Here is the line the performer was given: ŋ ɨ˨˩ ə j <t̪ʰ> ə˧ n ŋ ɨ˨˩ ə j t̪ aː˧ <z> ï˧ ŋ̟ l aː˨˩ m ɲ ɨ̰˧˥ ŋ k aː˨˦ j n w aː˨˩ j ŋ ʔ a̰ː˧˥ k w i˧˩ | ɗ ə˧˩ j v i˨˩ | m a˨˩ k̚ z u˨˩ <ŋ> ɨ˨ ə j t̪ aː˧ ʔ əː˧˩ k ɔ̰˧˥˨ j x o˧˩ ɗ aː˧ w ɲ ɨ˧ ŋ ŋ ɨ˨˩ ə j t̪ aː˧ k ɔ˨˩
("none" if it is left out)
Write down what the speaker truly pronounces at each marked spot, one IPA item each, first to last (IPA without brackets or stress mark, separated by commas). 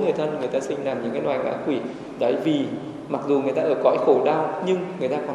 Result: t̪ʰ, s, ŋ